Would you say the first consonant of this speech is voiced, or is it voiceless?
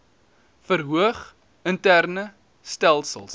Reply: voiceless